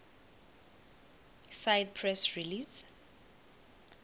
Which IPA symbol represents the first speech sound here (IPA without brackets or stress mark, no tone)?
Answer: s